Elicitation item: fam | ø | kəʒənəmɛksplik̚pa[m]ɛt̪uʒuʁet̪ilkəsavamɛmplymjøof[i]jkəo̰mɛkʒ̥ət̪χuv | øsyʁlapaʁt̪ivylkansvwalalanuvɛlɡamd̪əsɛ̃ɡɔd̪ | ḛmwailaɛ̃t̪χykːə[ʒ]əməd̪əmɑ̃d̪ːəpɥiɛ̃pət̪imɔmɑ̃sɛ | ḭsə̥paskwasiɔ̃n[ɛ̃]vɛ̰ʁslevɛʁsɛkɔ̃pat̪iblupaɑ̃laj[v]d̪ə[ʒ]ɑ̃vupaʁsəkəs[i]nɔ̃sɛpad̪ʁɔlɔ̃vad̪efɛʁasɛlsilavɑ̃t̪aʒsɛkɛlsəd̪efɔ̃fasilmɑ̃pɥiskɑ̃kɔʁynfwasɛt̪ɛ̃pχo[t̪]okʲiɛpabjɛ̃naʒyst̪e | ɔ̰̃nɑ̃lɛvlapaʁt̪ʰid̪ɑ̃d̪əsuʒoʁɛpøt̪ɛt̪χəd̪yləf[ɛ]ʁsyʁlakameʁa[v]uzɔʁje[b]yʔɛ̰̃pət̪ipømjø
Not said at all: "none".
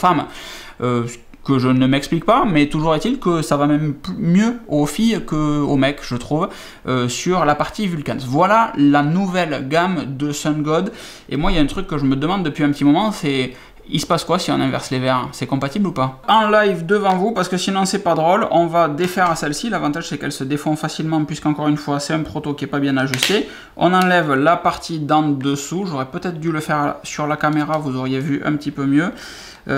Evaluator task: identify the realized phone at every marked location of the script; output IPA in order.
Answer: m, i, ʒ, ɛ̃, v, v, i, t̪, ɛ, v, v

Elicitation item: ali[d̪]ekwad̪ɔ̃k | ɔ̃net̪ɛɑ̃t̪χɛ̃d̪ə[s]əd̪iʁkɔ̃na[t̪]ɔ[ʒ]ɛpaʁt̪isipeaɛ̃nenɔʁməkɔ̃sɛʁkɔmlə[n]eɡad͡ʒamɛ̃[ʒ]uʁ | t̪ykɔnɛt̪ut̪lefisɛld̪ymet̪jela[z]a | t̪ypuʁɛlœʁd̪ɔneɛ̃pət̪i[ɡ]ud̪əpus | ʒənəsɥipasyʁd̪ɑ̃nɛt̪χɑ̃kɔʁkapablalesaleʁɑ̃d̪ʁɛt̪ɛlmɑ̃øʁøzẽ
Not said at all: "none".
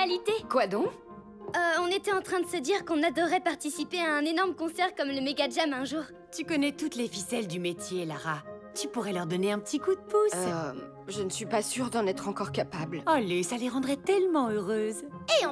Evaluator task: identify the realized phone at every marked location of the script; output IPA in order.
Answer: t̪, s, d̪, ʁ, m, ʒ, ʁ, k

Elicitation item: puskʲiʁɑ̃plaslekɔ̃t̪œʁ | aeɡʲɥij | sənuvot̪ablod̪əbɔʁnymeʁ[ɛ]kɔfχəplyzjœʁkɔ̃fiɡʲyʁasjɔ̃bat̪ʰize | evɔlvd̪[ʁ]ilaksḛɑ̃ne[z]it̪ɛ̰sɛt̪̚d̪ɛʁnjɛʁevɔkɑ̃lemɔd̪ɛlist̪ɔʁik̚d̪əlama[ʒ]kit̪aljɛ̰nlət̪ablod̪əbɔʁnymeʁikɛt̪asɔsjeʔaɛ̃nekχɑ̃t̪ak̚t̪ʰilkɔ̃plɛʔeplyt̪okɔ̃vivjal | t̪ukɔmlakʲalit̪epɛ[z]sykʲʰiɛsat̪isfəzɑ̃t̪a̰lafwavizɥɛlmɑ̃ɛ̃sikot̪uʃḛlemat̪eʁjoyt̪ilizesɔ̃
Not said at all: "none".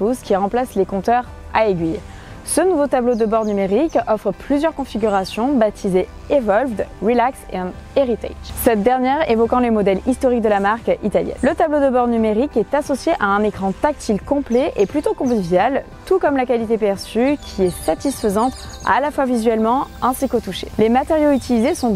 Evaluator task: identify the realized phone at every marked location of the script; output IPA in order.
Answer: i, ʁ, ʁ, ʁ, ʁ

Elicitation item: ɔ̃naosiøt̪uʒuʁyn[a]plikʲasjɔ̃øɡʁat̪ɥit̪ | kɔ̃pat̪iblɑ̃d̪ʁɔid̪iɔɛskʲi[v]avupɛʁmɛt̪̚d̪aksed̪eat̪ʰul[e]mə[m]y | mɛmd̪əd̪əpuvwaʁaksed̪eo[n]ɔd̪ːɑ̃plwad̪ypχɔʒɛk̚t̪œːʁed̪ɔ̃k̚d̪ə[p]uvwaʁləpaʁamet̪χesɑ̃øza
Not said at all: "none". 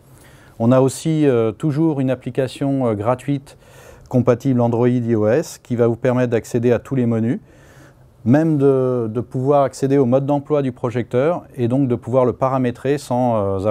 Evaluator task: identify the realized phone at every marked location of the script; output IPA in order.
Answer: a, v, e, n, m, p

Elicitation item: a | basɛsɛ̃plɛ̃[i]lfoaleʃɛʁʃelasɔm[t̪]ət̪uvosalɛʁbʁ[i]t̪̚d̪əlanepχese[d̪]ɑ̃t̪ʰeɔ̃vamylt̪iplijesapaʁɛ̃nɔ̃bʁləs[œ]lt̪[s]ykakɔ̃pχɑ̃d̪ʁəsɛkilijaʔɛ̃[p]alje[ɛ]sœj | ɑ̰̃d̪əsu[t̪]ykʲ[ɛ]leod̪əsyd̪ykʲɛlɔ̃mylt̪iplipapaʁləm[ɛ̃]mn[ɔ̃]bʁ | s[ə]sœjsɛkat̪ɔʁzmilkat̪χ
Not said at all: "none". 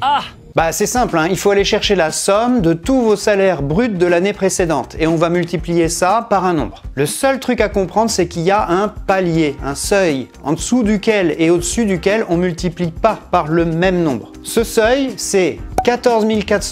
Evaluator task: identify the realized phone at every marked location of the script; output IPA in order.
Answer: i, d̪, y, d̪, œ, χ, p, ɛ̃, d̪, ɛ, ɛ, ɔ̃, ə

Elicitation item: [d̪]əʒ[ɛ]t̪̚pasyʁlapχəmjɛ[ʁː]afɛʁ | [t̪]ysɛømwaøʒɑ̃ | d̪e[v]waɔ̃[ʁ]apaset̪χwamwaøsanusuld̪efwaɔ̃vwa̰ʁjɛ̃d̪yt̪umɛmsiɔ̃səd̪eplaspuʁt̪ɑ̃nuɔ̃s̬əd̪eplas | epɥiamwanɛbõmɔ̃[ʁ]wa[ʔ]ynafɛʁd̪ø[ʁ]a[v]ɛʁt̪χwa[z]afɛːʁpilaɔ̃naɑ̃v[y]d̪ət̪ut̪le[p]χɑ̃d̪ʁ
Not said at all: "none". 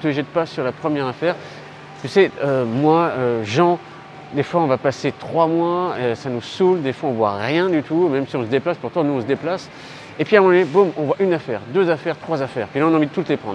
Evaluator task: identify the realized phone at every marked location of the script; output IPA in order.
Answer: t̪, ɛ, ʁ, t̪, f, v, v, ʔ, z, f, z, i, p

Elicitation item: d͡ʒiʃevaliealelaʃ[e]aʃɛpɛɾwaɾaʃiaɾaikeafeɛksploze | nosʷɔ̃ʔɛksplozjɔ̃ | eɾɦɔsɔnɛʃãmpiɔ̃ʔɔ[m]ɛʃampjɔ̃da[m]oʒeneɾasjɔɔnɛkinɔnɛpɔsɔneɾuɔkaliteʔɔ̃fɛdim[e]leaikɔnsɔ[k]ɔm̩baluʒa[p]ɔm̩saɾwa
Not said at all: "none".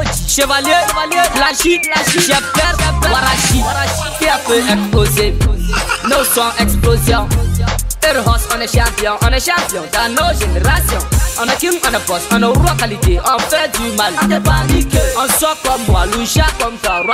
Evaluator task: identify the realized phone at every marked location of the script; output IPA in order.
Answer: i, n, n, a, k, k

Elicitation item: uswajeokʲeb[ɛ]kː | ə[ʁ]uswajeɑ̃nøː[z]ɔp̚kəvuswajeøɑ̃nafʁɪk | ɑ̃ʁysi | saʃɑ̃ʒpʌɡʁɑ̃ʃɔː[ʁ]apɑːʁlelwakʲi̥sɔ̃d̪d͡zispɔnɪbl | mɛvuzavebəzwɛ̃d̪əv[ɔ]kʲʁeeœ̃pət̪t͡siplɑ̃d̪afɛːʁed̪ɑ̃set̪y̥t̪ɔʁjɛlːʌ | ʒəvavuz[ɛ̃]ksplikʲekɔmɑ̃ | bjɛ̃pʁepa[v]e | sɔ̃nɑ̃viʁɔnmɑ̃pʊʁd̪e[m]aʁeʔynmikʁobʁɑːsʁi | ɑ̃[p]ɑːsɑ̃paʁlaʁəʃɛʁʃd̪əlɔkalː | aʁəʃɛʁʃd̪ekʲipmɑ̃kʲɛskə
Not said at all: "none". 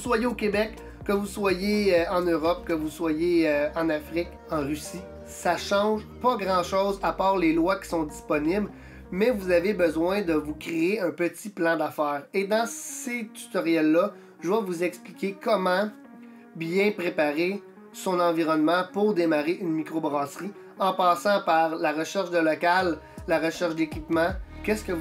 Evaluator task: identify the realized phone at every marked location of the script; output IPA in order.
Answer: ɛ, v, ʁ, z, u, ɛ, ʁ, m, p

